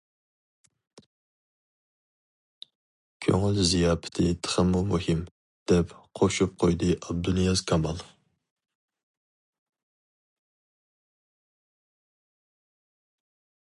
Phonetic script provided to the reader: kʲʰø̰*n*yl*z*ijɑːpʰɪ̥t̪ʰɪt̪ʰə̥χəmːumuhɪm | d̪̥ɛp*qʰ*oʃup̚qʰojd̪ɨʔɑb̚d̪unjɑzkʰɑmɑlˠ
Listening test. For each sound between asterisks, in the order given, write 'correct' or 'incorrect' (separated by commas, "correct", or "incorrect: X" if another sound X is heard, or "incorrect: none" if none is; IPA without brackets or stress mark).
incorrect: ŋ, correct, correct